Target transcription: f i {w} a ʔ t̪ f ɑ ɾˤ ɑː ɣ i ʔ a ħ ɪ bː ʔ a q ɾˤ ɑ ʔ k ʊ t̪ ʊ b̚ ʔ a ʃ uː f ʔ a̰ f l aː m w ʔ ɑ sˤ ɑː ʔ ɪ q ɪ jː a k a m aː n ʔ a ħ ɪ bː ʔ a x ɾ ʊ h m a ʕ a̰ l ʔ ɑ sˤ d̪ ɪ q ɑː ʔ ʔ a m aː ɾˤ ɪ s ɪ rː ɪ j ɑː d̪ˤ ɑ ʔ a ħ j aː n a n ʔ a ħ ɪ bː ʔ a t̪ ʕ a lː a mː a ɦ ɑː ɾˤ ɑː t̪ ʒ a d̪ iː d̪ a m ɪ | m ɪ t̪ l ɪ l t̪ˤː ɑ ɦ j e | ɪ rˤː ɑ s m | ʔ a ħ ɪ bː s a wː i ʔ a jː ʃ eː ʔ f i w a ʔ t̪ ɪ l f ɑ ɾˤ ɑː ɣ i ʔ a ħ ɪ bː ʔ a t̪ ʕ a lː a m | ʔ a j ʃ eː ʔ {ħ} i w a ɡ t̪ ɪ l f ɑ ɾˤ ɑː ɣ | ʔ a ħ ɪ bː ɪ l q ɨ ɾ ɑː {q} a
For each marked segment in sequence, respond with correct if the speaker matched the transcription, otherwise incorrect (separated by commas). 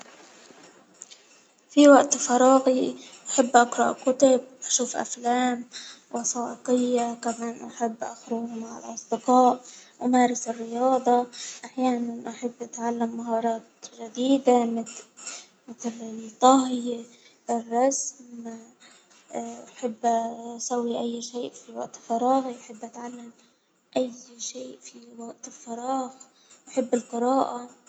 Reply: correct, incorrect, incorrect